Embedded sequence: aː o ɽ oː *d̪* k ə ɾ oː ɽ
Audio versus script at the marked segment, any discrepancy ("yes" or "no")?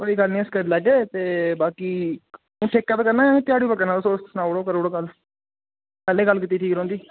yes